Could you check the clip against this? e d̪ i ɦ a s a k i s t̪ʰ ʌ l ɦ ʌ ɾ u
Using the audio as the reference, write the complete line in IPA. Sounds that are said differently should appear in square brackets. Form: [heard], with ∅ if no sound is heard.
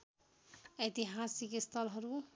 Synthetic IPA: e [t̪] i ɦ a s [i] k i s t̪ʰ ʌ l ɦ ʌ ɾ u